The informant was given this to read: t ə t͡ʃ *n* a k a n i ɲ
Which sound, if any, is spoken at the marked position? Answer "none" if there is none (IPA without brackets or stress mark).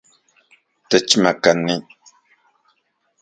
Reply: m